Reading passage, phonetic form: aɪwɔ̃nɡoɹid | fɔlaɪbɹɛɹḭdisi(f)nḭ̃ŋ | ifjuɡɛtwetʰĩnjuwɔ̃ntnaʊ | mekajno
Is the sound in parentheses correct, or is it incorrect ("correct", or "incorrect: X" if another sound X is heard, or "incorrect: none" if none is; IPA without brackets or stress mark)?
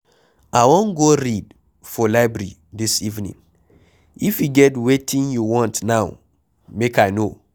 incorrect: v